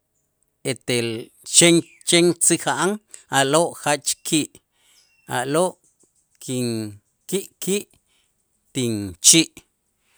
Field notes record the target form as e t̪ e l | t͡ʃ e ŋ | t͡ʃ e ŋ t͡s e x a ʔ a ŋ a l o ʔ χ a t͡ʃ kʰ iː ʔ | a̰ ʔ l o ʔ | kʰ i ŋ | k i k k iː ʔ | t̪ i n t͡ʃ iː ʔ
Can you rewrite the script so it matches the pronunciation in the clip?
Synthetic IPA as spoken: e t̪ e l | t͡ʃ e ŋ | t͡ʃ e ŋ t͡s i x a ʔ a ŋ a l o ʔ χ a t͡ʃ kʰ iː ʔ | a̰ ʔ l o ʔ | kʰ i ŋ | k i ʔ k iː ʔ | t̪ i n t͡ʃ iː ʔ